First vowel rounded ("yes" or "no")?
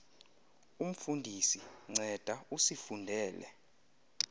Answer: yes